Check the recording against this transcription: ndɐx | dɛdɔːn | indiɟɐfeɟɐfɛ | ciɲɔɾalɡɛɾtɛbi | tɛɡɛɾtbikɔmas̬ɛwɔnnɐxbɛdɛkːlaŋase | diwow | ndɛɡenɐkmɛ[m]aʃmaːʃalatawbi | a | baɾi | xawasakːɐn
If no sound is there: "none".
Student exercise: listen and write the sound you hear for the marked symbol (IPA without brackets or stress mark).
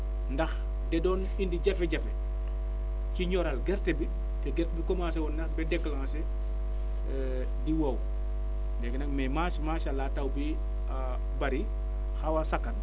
m